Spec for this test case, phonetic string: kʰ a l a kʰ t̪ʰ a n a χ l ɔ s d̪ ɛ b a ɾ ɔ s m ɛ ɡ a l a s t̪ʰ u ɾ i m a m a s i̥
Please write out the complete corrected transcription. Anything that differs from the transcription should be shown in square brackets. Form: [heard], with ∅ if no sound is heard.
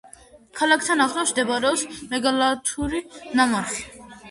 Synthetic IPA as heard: kʰ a l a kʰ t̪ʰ a n a χ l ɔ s d̪ ɛ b a ɾ ɔ s m ɛ ɡ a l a [∅] t̪ʰ u ɾ i [n] a m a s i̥